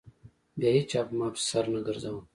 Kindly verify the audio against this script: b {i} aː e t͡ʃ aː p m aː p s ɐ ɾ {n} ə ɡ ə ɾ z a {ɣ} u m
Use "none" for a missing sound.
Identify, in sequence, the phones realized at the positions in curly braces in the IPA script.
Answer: j, n, w

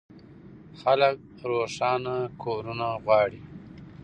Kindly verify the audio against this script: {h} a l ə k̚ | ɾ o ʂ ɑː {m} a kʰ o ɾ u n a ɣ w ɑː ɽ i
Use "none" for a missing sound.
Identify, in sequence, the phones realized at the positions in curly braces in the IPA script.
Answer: x, n

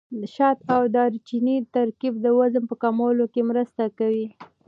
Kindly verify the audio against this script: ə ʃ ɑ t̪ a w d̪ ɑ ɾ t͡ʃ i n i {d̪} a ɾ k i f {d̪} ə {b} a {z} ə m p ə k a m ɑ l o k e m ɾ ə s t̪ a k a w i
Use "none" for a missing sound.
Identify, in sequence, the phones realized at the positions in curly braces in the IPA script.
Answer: t̪, d̪, w, z

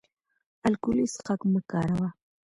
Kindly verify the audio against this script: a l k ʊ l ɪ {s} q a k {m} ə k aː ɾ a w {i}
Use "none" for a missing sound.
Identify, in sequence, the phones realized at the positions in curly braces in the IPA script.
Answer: s, m, a

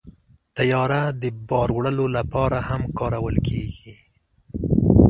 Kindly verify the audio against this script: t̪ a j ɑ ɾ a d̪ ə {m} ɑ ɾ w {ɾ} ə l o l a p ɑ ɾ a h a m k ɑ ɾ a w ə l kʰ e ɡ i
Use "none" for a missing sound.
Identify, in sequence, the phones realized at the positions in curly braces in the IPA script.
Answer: b, ɽ

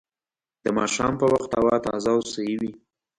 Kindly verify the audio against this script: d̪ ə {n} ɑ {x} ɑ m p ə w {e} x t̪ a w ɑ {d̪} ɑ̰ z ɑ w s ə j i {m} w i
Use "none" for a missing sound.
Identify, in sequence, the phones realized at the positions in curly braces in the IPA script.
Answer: m, ʃ, a, t̪, none

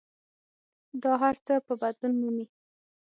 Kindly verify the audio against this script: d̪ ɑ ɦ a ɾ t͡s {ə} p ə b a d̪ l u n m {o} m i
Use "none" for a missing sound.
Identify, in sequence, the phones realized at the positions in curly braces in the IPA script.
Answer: ə, u

